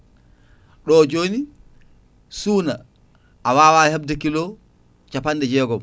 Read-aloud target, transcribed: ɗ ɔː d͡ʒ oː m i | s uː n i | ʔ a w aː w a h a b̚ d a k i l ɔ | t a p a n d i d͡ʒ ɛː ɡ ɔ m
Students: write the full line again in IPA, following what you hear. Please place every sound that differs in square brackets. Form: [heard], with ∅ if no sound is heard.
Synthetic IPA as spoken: ɗ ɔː d͡ʒ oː [n] i | s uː n [a] | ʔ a w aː w a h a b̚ d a k i l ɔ | [t͡ʃ] a p a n d [ɛ] d͡ʒ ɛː ɡ ɔ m

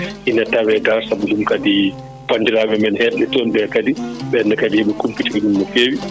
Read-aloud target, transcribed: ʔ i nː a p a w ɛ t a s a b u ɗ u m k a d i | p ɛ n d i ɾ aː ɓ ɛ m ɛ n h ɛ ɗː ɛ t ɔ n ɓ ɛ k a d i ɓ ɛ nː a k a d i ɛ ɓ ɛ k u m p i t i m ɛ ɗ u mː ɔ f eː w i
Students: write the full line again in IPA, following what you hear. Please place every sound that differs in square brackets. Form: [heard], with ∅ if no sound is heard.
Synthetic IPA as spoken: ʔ i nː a [t] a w ɛ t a s a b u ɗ u m k a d i | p [a] n d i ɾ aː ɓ ɛ m ɛ n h ɛ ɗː ɛ t ɔ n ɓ ɛ k a d i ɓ ɛ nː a k a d i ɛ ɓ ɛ k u m p i t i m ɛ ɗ u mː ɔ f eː w i

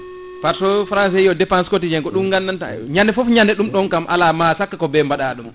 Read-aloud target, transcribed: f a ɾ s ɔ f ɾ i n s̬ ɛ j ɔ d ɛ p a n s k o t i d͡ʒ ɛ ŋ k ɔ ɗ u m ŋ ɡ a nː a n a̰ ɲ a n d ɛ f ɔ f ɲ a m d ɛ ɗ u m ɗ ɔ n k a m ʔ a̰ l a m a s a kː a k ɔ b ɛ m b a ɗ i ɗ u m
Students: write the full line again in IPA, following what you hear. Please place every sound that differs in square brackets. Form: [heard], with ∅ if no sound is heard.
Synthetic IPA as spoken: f a ɾ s ɔ f ɾ [a] n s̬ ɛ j ɔ d ɛ p a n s k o t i d͡ʒ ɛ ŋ k ɔ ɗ u m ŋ ɡ a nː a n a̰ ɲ a n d ɛ f ɔ f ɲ a [n] d ɛ ɗ u m ɗ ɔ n k a m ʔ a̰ l a m a s a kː a k ɔ b ɛ m b a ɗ [a] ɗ u m

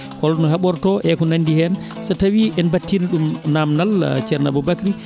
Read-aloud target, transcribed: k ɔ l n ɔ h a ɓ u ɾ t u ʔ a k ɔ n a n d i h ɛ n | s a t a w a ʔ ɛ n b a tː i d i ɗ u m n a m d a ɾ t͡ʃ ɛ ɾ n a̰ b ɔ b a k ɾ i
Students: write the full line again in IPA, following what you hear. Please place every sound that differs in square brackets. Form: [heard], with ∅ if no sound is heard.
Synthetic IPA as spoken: k ɔ l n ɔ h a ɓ [ɔ] ɾ t [ɔ] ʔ [ɛ] k ɔ n a n d i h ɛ n | s a t a w [i] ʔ ɛ n b a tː i [n] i ɗ u m n a m [n] a [l] t͡ʃ ɛ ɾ n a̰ b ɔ b a k ɾ i

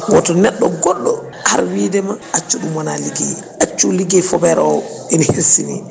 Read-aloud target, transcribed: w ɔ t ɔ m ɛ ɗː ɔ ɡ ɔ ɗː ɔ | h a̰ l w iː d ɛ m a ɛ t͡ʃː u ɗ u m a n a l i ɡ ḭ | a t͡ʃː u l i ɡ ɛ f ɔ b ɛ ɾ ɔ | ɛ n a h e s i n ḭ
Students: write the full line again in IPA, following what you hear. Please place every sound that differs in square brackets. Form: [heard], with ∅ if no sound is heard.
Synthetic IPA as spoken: w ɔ t ɔ [n] ɛ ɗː ɔ ɡ ɔ ɗː ɔ | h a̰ [ɾ] w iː d ɛ m a [a] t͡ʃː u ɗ u m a n a l i ɡ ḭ | a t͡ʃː u l i ɡ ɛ f ɔ b ɛ ɾ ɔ | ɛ n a h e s i n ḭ

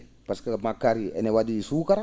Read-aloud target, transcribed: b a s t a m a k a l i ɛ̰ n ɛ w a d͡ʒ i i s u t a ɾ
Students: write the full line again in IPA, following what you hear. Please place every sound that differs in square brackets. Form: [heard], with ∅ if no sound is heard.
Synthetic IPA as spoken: [p] a s [k] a m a k a [ɾ] i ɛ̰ n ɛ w a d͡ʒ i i s u [k] a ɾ

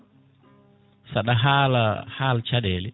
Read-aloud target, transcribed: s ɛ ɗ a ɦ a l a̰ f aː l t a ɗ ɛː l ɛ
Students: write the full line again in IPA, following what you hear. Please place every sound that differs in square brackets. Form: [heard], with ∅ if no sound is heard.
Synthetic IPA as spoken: s [a] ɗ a ɦ a l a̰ [h] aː l [t͡ʃ] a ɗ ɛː l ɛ

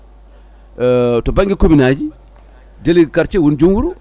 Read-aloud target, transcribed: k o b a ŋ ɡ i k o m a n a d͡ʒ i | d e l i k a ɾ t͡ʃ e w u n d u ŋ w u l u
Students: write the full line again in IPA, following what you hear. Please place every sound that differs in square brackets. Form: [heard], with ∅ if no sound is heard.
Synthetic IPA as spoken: [t] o b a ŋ ɡ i k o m [i] n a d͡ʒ i | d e l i k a ɾ t͡ʃ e w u n [d͡ʒ] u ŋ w u [ɾ] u

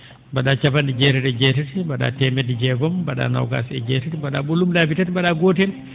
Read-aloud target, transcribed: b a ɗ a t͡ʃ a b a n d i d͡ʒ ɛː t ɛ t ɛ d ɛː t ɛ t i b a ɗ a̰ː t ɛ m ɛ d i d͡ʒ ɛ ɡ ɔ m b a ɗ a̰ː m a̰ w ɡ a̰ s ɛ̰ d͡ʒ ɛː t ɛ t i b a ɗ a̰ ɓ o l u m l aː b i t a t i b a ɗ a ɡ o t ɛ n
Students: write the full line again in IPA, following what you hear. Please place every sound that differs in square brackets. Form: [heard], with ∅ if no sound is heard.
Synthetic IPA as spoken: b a ɗ a t͡ʃ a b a n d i d͡ʒ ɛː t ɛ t ɛ [d͡ʒ] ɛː t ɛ t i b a ɗ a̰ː t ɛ m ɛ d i d͡ʒ ɛ ɡ ɔ m b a ɗ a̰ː [n] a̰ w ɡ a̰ s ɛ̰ d͡ʒ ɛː t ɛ t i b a ɗ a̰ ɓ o l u m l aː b i t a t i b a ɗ a ɡ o t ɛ n

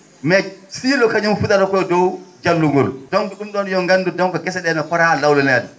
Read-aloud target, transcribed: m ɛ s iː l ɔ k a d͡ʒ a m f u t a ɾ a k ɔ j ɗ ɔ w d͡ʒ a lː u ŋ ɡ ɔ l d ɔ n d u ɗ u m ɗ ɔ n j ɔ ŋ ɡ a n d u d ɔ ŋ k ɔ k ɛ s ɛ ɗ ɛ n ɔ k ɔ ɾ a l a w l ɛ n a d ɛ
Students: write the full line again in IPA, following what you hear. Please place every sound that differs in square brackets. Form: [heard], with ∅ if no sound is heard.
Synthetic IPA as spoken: m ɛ s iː l ɔ k a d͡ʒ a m f u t a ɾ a k ɔ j [d] ɔ w d͡ʒ a lː u ŋ ɡ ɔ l d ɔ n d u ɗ u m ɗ ɔ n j ɔ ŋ ɡ a n d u d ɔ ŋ k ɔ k ɛ s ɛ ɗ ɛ n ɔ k ɔ ɾ a l a w l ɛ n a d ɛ

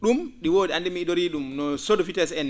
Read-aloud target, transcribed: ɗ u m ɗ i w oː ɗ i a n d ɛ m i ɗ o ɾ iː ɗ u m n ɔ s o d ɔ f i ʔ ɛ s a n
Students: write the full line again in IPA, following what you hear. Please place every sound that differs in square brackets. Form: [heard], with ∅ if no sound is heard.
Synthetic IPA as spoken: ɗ u m ɗ i w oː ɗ i a n d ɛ m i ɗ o ɾ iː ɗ u m n ɔ s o d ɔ f i [t] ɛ s [ɛ] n

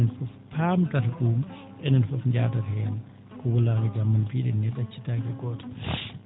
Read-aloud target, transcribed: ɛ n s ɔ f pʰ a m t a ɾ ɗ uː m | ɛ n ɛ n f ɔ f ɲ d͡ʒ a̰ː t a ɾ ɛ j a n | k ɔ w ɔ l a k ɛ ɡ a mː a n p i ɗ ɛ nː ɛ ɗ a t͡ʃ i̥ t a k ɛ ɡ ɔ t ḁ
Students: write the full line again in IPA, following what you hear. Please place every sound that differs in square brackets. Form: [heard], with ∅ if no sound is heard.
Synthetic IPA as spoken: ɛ n [f] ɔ f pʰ a m t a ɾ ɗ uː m | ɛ n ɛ n f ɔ f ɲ d͡ʒ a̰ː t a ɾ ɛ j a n | k ɔ w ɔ l a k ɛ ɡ a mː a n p i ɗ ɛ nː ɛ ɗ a t͡ʃ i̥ t a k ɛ ɡ ɔ t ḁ

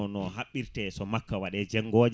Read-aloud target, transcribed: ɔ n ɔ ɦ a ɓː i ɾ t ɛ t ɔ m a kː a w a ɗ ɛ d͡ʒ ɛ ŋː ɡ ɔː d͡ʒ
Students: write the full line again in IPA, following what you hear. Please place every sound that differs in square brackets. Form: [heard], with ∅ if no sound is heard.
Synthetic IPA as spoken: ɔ n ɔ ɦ a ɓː i ɾ t ɛ [s] ɔ m a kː a w a ɗ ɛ d͡ʒ ɛ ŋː ɡ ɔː d͡ʒ

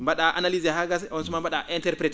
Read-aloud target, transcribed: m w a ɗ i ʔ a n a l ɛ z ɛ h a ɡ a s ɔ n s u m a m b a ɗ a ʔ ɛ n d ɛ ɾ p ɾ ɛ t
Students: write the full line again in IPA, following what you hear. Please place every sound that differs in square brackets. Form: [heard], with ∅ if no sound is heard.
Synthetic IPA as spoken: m [b] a ɗ [a] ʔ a n a l [i] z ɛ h a ɡ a s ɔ n s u m a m b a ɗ a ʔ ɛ n [t] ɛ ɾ p ɾ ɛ t

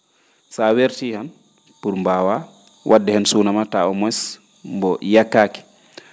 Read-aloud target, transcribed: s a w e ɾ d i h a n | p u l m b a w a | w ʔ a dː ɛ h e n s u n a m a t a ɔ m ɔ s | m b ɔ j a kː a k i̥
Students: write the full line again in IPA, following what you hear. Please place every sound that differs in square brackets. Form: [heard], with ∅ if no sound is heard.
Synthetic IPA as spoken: s a w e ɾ [t] i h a n | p u [ɾ] m b a w a | w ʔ a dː ɛ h [ɛ] n s u n a m a t a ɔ m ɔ s | m b ɔ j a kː a k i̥

